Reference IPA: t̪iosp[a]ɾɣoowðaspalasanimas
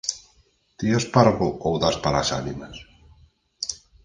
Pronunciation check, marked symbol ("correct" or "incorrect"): correct